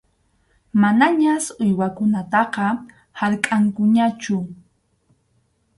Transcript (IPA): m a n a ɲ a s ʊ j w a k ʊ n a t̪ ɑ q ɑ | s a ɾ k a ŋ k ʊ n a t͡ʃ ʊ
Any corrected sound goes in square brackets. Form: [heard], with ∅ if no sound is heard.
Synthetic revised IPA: m a n a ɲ a s ʊ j w a k ʊ n a t̪ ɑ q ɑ | [h] a ɾ [kʼ] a ŋ k ʊ [ɲ] a t͡ʃ ʊ

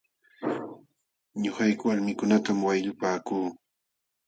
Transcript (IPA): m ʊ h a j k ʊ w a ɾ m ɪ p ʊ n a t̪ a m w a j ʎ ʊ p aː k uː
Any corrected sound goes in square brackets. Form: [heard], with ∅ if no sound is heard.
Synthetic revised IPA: [ɲ] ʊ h a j k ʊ w a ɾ m ɪ [k] ʊ n a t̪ a m w a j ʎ ʊ p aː k uː

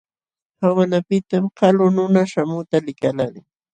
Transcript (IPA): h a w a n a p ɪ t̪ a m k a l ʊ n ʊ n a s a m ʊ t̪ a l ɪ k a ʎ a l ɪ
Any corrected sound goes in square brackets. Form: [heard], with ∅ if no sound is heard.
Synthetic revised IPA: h a w a n a p ɪ t̪ a m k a l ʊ n ʊ n a [ʃ] a m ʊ t̪ a l ɪ k a [l] a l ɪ

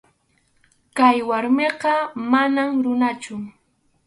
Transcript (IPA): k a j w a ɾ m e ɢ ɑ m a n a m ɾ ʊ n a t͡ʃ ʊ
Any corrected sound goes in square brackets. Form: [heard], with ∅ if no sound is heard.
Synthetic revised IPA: k a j w a ɾ m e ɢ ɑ m a n a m ɾ ʊ n a t͡ʃ ʊ

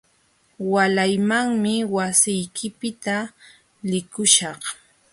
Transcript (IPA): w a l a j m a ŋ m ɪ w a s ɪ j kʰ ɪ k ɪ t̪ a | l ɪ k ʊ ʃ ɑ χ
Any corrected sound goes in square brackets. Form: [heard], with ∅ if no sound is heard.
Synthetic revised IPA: w a l a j m a ŋ m ɪ w a s ɪ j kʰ ɪ [p] ɪ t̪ a | l ɪ k ʊ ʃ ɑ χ

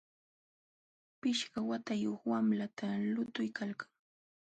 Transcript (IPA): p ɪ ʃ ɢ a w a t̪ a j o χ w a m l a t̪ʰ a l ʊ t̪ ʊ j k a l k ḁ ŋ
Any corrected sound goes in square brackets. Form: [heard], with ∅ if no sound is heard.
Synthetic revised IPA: p ɪ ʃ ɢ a w a t̪ a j o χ w a m l a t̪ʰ a l ʊ t̪ ʊ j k a l k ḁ ŋ

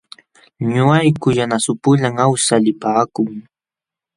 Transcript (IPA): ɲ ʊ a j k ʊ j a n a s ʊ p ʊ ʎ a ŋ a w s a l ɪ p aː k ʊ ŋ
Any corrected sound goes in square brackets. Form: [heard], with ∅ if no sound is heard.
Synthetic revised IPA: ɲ ʊ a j k ʊ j a n a s ʊ p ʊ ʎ a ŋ a w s a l ɪ p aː k ʊ ŋ

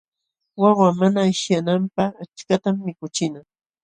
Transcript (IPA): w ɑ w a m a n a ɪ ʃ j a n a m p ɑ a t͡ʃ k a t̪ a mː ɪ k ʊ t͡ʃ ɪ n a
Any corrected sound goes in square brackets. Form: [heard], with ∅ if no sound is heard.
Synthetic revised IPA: w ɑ w a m a n a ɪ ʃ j a n a m p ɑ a t͡ʃ k a t̪ a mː ɪ k ʊ t͡ʃ ɪ n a

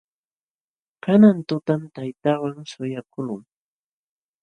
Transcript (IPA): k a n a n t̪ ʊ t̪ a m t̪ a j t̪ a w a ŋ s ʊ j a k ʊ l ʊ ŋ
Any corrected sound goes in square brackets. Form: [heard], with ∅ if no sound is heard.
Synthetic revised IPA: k a n a n t̪ ʊ t̪ a m t̪ a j t̪ a w a ŋ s ʊ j a k ʊ l ʊ ŋ

